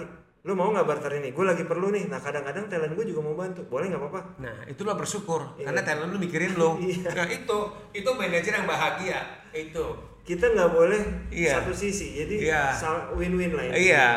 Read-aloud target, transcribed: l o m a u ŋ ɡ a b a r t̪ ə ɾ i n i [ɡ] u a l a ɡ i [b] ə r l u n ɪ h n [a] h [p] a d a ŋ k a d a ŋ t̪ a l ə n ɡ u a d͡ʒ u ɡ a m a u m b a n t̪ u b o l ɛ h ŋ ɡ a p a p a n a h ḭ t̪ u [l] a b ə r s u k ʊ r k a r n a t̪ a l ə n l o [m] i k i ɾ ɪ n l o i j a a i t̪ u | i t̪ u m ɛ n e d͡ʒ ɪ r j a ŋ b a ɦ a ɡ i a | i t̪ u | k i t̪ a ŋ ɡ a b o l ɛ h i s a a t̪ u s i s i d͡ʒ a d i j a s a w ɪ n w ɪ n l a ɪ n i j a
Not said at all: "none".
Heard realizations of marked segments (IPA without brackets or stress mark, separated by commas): ɡ, p, a, k, l, m